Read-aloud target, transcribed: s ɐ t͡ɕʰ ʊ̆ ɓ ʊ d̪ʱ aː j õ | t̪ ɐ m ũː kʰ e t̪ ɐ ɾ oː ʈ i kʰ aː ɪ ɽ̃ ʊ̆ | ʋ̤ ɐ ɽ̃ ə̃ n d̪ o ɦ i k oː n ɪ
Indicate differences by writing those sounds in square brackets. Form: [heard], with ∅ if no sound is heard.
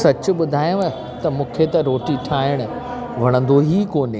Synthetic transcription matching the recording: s ɐ [t͡ɕ] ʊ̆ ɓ ʊ d̪ʱ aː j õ | t̪ ɐ m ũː kʰ e t̪ ɐ ɾ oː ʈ i [ʈʰ] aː ɪ ɽ̃ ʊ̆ | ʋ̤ ɐ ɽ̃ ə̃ n d̪ o ɦ i k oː n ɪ